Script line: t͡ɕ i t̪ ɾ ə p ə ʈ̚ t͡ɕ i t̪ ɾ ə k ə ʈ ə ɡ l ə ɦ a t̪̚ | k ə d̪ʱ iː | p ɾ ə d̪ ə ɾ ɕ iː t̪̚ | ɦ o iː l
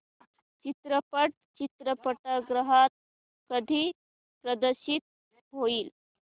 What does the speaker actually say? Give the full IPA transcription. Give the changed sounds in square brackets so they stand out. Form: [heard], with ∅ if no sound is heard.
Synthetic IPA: t͡ɕ i t̪ ɾ ə p ə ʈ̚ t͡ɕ i t̪ ɾ ə [p] ə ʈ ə ɡ [ɾ] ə ɦ a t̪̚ | k ə d̪ʱ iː | p ɾ ə d̪ ə ɾ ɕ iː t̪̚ | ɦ o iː l

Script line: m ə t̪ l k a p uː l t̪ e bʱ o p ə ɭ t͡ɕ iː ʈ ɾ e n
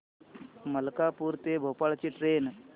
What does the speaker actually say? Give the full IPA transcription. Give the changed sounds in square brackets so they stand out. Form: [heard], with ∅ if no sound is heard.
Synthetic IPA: m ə [∅] l k a p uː [ɾ] t̪ e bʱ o p [a] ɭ t͡ɕ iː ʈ ɾ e n

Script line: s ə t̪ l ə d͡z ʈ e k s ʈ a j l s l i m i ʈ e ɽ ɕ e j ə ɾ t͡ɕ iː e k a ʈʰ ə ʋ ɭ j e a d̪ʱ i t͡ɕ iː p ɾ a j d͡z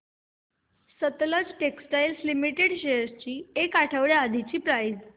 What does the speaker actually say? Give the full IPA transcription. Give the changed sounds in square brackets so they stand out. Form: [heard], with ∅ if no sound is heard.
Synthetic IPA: s ə t̪ l ə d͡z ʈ e k s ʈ a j l s l i m i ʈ e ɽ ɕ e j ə ɾ t͡ɕ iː e k a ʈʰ ə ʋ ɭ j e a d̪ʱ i t͡ɕ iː p ɾ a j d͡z

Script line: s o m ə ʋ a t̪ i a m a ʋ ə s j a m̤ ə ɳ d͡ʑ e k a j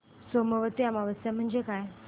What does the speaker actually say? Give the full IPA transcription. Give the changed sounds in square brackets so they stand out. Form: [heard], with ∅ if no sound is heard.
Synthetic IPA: s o m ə ʋ [ə] t̪ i a m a ʋ ə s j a m̤ ə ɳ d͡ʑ e k a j

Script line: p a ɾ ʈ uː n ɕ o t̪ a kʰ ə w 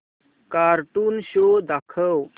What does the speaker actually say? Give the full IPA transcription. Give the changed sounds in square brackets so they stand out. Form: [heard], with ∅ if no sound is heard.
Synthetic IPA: [k] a ɾ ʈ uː n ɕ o [d̪] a kʰ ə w

